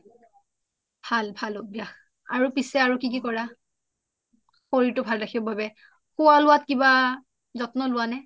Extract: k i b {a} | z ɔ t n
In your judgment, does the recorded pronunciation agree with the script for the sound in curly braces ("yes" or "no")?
yes